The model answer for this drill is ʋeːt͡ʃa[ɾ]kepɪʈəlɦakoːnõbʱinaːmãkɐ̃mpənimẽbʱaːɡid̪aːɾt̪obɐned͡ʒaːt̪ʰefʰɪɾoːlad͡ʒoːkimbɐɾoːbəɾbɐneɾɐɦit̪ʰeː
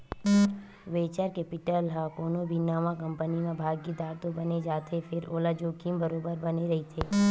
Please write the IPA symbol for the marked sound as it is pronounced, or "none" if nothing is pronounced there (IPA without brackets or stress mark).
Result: ɾ